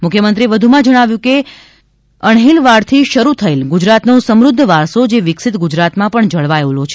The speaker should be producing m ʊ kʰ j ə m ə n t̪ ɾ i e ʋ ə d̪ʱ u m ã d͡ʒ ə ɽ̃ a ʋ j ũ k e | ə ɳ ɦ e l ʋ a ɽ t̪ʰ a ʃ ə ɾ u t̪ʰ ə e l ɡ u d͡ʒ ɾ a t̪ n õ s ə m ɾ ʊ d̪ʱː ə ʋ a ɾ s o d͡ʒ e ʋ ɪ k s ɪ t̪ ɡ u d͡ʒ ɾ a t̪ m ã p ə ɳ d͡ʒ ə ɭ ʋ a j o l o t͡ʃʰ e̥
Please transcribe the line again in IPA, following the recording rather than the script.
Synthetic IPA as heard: m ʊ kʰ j ə m ə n t̪ ɾ i e ʋ ə d̪ʱ u m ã d͡ʒ ə ɽ̃ a ʋ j ũ k e | ə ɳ ɦ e l ʋ a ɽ t̪ʰ i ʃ ə ɾ u t̪ʰ ə e l ɡ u d͡ʒ ɾ a t̪ n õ s ə m ɾ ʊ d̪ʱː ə ʋ a ɾ s o d͡ʒ e ʋ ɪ k s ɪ t̪ ɡ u d͡ʒ ɾ a t̪ m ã p ə ɳ d͡ʒ ə ɭ ʋ a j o l o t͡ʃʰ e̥